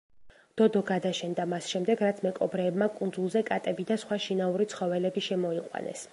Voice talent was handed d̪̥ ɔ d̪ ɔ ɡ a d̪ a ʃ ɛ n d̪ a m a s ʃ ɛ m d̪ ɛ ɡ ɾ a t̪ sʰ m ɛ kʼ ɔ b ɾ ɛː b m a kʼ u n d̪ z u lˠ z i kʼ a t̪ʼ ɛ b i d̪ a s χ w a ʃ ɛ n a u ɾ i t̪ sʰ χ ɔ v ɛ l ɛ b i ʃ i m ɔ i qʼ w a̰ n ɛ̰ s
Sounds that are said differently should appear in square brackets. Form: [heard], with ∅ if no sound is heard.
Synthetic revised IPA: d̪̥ ɔ d̪ ɔ ɡ a d̪ a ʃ ɛ n d̪ a m a s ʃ ɛ m d̪ ɛ ɡ ɾ a t̪ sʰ m ɛ kʼ ɔ b ɾ ɛː b m a kʼ u n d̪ z u lˠ z [ɛ] kʼ a t̪ʼ ɛ b i d̪ a s χ w a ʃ [i] n a u ɾ i t̪ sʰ χ ɔ v ɛ l ɛ b i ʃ [ɛ] m ɔ i qʼ w a̰ n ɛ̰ s